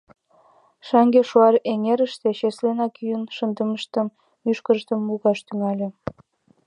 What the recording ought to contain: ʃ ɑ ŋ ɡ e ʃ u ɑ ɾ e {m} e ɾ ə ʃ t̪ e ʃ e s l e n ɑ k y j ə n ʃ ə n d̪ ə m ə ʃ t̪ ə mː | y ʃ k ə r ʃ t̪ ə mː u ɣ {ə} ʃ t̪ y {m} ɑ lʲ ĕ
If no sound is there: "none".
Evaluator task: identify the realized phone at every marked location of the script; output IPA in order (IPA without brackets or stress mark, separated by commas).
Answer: ŋ, ɑ, ŋ